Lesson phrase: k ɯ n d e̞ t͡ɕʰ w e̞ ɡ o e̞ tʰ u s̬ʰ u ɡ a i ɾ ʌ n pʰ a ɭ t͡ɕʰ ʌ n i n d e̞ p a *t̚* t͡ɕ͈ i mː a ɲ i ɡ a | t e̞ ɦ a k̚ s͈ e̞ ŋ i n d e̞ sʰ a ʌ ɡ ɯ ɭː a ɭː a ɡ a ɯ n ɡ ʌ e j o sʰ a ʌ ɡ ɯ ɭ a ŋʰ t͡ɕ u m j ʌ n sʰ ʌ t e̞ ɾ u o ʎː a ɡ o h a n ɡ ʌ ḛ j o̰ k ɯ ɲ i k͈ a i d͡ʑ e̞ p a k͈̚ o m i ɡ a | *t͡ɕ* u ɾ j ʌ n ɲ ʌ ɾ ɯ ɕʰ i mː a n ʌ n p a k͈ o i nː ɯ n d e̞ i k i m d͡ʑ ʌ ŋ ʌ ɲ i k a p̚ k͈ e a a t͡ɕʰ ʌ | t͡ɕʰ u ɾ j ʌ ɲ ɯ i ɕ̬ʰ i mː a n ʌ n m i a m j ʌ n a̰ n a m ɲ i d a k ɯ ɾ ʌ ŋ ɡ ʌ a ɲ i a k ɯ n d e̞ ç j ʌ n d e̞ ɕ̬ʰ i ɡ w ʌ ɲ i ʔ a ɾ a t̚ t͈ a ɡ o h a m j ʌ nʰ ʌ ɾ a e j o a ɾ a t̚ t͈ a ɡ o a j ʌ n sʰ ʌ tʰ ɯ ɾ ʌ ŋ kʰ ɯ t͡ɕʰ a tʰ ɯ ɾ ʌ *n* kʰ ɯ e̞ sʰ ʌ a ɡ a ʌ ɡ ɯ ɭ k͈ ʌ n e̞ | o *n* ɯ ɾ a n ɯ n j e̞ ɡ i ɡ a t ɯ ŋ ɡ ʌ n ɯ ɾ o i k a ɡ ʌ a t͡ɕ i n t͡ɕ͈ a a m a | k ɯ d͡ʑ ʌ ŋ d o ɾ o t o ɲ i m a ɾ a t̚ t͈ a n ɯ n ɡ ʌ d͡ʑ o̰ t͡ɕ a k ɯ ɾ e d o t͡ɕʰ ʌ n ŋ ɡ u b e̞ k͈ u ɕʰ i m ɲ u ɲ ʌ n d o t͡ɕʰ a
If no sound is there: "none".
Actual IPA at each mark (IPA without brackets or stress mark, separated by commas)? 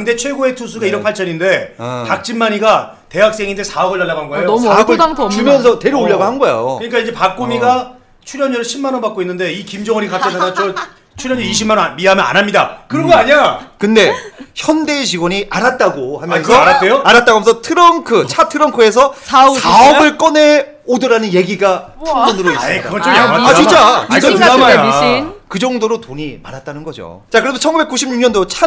k̚, t͡ɕʰ, ŋ, d